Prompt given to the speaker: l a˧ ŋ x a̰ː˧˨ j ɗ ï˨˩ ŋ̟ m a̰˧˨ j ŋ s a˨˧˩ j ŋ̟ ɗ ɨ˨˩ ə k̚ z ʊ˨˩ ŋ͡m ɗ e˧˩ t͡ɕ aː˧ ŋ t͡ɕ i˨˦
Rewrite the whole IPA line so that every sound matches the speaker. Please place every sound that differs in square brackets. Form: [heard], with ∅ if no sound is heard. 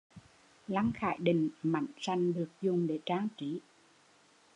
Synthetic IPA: l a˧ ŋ x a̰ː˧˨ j ɗ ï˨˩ ŋ̟ m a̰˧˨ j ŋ s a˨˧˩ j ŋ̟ ɗ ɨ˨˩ ə k̚ z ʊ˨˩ ŋ͡m ɗ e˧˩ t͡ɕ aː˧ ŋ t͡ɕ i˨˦